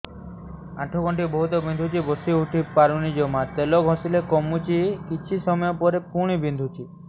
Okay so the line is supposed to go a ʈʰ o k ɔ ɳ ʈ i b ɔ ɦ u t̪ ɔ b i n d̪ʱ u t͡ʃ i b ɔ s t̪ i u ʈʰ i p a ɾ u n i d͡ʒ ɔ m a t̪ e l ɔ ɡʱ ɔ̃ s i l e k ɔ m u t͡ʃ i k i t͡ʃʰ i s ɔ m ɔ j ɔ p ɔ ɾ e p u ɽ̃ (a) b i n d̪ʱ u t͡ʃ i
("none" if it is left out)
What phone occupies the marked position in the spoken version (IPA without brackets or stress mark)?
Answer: i